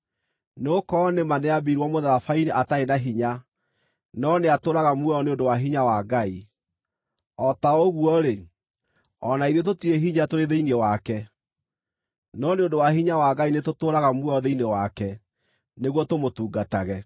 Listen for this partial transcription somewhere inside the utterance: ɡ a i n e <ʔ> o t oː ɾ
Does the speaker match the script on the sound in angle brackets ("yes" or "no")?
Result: no